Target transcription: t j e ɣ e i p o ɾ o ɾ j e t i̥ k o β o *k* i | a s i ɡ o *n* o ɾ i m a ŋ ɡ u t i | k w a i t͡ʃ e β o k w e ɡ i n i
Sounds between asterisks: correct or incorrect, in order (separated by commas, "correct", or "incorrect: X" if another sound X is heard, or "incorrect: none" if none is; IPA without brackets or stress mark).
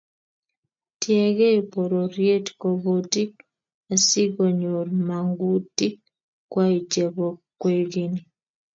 incorrect: t, incorrect: ɲ